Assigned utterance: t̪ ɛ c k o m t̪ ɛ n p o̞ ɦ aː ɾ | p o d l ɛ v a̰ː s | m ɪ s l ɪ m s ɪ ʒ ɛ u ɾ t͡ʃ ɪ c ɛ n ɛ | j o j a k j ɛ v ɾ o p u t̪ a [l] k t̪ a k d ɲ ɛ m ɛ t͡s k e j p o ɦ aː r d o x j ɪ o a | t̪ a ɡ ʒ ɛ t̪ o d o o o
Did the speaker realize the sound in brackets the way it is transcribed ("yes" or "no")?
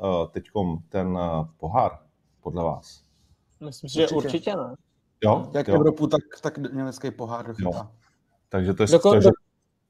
no